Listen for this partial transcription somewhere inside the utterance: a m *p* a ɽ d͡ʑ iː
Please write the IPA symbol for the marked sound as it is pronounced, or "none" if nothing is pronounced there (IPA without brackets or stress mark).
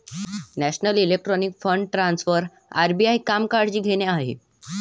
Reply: k